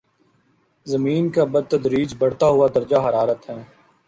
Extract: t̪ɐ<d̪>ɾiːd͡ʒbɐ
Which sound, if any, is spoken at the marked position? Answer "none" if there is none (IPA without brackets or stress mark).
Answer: d̪